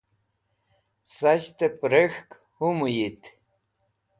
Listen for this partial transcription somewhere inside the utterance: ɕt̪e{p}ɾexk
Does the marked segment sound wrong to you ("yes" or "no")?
no